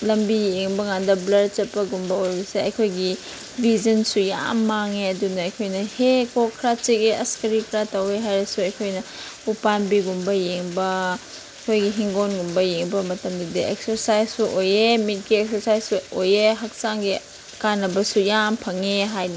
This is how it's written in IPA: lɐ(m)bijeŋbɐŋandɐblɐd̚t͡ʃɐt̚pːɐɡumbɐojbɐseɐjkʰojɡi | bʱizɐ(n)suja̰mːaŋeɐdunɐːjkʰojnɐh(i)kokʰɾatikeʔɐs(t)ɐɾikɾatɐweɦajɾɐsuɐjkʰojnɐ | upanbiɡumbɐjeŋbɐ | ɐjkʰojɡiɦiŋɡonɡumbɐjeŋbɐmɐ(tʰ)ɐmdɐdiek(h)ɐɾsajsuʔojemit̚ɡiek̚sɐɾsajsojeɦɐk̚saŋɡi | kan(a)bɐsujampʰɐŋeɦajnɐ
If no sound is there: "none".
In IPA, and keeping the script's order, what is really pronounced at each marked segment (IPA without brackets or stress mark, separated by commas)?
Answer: m, n, e, k, t, s, ɐ